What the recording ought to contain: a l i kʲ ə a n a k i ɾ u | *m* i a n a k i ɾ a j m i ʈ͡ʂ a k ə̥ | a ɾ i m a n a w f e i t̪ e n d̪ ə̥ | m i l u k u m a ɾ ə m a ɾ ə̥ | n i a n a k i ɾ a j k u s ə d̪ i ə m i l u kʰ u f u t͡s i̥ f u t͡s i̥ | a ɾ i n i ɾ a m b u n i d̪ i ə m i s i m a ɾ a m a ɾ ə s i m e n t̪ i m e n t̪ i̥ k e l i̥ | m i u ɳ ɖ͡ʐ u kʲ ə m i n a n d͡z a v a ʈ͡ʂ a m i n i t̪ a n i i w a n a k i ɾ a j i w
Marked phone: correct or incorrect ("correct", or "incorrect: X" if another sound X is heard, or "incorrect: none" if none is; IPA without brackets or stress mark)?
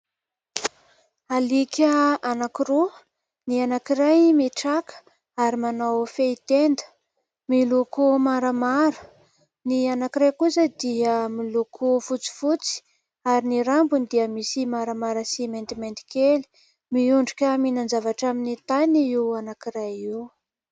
incorrect: n